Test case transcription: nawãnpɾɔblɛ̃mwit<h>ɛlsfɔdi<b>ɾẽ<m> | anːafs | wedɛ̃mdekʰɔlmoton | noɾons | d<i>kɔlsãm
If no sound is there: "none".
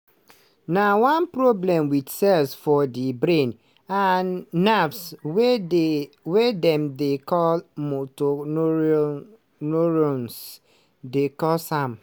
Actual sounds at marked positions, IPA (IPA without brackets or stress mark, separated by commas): s, b, n, e